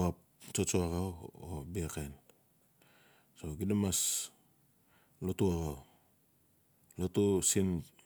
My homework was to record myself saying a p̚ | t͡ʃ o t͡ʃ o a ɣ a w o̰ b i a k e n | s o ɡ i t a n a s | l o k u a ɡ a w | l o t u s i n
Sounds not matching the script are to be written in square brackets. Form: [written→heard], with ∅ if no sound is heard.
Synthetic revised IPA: a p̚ | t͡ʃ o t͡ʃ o a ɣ a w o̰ b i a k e n | s o ɡ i [t→d] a [n→m] a s | l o [k→t] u a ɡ a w | l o t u s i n